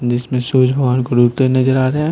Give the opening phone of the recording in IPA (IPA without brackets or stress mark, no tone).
d͡ʒ